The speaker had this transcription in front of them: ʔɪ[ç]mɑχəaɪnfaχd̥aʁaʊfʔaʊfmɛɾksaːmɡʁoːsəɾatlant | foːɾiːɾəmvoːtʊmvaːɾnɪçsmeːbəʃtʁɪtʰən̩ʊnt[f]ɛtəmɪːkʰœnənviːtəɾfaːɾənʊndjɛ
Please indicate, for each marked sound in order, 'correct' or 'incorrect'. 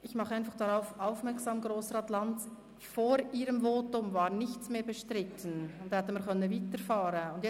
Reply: correct, incorrect: h

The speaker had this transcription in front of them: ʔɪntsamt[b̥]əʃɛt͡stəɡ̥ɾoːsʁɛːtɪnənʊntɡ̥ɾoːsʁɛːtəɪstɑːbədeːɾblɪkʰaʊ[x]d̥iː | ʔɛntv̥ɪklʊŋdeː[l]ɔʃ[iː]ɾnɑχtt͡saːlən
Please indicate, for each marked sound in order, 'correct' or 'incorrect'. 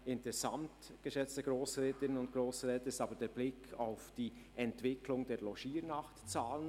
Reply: incorrect: ɡ̥, incorrect: f, correct, correct

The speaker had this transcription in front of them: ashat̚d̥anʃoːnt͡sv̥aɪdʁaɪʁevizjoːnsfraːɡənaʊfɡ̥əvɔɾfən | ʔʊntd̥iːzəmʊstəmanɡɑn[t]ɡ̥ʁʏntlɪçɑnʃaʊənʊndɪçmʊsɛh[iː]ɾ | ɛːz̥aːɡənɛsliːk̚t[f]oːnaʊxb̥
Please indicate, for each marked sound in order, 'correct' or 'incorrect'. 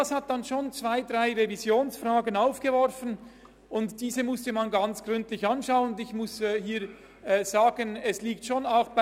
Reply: incorrect: t͡s, correct, incorrect: ʃ

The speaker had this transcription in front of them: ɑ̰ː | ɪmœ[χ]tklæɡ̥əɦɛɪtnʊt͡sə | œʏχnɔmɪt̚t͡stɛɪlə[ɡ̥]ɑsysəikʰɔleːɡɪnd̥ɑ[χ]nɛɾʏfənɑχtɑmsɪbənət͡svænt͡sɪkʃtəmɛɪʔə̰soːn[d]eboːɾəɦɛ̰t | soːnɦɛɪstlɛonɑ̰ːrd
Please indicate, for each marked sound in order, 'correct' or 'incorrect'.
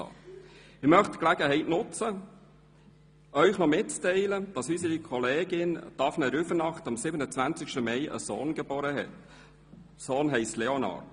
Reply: correct, incorrect: d̥, incorrect: f, incorrect: ɡ

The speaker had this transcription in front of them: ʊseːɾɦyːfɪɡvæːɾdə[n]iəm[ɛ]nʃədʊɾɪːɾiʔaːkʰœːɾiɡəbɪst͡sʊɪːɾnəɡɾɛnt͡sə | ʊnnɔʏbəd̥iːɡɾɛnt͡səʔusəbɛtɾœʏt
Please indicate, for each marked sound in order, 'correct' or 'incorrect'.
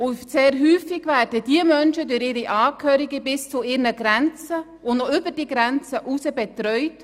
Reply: incorrect: d, incorrect: œ

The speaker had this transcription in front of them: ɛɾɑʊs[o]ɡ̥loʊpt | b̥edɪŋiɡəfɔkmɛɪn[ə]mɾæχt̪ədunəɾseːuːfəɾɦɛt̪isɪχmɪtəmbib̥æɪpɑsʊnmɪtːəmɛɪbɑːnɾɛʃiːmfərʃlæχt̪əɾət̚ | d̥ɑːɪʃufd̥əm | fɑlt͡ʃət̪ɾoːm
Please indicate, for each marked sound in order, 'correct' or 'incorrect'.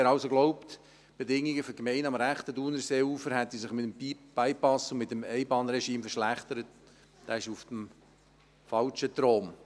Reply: correct, incorrect: ɑ

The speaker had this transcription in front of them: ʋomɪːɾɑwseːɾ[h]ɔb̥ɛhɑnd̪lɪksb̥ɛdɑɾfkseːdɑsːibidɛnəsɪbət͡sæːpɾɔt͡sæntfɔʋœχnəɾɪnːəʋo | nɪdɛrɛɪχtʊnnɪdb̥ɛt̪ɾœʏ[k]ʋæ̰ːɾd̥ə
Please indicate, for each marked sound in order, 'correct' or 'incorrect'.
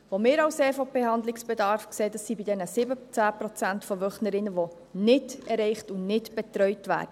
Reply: incorrect: f, incorrect: t

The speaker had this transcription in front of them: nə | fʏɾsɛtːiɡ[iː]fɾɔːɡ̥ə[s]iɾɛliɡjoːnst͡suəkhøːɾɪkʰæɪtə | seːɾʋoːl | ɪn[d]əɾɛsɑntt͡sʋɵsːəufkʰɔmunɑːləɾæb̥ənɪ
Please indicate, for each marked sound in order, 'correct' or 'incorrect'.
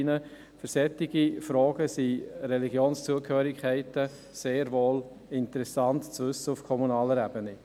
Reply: incorrect: i, correct, incorrect: t

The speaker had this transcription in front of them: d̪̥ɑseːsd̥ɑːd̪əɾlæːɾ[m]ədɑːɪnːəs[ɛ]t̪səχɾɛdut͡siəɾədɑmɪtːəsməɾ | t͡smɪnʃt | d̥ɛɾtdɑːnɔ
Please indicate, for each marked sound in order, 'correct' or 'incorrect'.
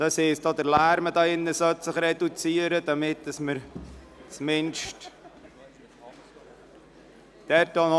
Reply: correct, incorrect: œ

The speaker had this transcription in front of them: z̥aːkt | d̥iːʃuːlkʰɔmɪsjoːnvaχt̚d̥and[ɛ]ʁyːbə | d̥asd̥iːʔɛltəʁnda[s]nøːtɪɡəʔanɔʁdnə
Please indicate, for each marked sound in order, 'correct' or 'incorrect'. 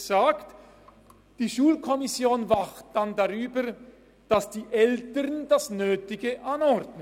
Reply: incorrect: a, correct

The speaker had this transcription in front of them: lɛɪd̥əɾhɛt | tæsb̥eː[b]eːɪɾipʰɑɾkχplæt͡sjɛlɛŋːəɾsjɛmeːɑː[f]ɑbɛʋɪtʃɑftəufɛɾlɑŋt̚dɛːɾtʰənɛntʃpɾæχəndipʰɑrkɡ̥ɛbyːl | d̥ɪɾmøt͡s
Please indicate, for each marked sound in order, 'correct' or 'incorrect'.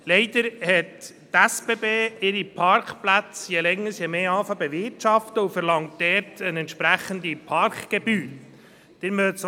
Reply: correct, correct

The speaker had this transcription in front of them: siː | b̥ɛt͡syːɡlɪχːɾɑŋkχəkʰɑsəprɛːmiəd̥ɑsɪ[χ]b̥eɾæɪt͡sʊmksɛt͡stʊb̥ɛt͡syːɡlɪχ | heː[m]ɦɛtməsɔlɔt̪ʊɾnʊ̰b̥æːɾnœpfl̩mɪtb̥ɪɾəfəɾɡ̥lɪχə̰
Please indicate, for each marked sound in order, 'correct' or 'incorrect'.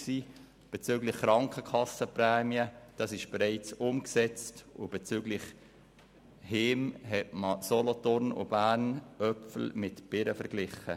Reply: incorrect: ʃ, correct

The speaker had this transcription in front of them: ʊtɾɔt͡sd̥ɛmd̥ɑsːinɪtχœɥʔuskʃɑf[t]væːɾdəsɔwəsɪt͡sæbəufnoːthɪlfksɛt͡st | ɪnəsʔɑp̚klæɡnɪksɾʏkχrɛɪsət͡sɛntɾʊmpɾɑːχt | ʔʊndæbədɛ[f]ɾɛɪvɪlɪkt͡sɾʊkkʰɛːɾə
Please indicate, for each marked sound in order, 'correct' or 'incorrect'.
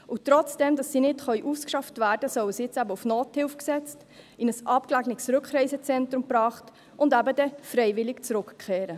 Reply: correct, correct

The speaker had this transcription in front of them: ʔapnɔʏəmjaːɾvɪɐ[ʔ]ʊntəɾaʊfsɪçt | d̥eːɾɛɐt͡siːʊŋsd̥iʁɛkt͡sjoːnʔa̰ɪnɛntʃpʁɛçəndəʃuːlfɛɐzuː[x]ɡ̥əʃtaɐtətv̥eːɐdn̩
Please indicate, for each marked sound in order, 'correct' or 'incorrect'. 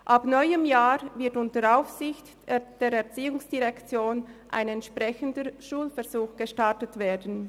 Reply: incorrect: t, correct

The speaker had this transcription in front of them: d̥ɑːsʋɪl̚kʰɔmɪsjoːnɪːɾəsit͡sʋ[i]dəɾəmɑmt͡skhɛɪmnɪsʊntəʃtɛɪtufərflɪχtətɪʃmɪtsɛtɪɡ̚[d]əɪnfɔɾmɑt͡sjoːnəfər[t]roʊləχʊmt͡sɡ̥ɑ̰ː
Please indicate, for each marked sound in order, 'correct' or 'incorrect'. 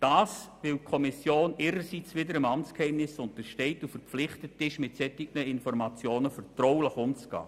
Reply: incorrect: ɪ, incorrect: n, correct

